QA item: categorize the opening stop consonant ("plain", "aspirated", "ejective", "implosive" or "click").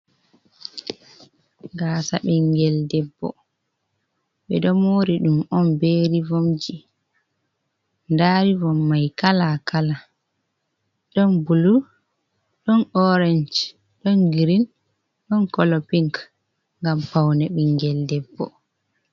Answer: plain